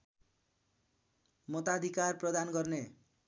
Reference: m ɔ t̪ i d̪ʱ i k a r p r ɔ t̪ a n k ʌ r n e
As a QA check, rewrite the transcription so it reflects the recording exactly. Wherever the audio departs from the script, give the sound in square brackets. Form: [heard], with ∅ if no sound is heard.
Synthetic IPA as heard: m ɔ t̪ [a] d̪ʱ i k a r p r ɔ [d̪] a n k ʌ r n e